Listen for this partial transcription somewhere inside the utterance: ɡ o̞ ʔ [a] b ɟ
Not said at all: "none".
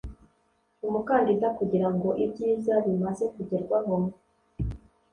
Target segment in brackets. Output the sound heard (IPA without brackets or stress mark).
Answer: i